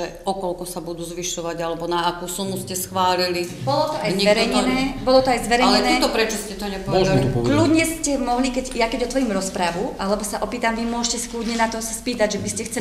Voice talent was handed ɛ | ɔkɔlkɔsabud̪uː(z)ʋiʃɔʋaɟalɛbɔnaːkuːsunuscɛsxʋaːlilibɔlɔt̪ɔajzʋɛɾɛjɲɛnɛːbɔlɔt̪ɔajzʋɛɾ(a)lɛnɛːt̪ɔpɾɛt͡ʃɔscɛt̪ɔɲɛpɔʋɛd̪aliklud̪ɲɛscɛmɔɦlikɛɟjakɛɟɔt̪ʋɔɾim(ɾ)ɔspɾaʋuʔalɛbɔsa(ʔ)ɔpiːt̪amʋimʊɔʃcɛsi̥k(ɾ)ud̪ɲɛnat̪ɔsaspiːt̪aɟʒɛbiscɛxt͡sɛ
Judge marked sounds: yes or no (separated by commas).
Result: yes, no, yes, yes, no